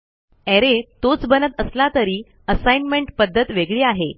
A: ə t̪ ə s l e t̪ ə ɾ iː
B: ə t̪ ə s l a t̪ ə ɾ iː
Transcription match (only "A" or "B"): B